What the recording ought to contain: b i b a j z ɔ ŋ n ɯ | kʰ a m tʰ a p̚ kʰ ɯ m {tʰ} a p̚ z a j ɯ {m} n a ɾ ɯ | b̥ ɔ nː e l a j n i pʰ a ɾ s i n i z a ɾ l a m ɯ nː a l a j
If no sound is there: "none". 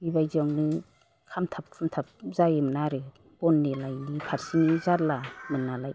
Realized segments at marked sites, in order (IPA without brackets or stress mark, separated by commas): tʰ, m